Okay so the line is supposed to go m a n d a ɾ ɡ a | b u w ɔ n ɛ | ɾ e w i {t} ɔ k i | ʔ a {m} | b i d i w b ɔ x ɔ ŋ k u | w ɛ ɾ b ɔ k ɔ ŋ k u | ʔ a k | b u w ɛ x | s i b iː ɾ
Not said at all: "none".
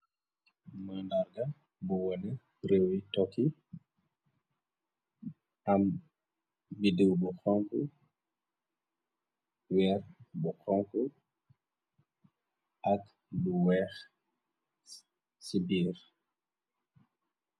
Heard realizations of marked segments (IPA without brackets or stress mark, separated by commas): t, m